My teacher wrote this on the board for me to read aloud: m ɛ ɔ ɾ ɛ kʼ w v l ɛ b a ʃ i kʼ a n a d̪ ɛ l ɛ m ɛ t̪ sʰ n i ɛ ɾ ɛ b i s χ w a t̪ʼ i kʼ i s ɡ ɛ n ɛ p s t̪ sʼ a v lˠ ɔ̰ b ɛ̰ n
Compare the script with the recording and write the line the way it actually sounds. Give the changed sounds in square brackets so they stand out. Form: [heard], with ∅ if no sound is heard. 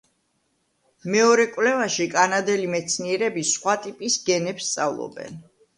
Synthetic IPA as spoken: m ɛ ɔ ɾ ɛ kʼ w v l ɛ [v] a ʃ i kʼ a n a d̪ ɛ l [i] m ɛ t̪ sʰ n i ɛ ɾ ɛ b i s χ w a t̪ʼ i [pʼ] i s ɡ ɛ n ɛ p s t̪ sʼ a v lˠ ɔ̰ b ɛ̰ n